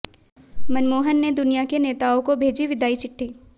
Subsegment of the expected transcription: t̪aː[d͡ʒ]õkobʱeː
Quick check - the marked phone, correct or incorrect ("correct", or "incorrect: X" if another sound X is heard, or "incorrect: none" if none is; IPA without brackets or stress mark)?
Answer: incorrect: none